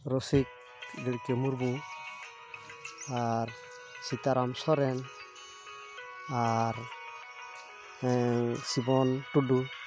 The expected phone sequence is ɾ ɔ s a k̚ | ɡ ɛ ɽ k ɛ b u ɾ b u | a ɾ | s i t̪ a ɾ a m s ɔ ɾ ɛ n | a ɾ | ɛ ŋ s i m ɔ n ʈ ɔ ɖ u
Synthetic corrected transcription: ɾ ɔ s i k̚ | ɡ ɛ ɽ k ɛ m u ɾ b u | a ɾ | s i t̪ a ɾ a m s ɔ ɾ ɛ n | a ɾ | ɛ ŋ s i b ɔ n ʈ u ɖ u